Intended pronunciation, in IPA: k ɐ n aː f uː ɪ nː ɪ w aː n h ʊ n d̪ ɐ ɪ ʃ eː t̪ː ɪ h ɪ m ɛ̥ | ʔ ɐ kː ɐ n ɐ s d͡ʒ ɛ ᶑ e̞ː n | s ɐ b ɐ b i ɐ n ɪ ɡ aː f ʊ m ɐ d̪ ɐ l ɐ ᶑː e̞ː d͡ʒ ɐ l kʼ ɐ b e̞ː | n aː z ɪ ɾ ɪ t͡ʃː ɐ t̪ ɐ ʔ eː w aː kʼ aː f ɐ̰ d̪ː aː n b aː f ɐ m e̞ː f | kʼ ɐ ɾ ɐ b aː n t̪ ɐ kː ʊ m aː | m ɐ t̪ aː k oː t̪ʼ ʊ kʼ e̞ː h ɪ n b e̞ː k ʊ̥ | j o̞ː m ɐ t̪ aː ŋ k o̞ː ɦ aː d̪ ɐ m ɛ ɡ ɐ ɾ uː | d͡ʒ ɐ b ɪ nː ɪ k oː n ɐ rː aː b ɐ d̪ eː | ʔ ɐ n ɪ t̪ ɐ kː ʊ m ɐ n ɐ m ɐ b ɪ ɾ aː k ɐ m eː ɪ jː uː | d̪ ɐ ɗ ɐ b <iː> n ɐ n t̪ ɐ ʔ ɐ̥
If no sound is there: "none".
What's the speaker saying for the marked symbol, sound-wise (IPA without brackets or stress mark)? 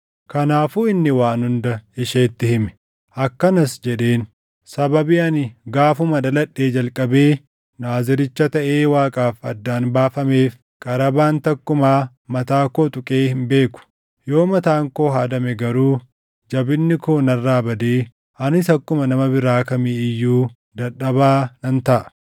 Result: aː